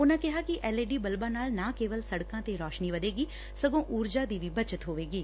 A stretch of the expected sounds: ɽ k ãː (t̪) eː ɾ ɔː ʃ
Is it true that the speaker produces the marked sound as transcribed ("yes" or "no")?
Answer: yes